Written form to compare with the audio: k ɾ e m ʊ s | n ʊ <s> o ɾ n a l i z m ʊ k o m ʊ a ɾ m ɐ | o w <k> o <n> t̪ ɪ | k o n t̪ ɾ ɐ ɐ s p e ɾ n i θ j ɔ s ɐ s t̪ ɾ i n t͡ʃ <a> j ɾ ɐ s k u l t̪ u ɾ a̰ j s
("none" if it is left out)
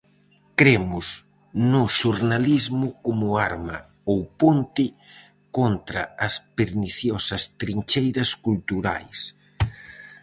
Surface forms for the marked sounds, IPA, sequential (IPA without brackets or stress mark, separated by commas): ʃ, p, n, e